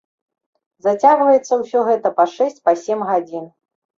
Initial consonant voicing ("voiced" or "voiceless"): voiced